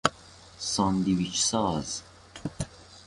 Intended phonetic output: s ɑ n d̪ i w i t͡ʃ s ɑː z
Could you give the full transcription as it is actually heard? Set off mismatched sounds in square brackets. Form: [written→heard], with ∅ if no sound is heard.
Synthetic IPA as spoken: s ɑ n d̪ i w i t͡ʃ s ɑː z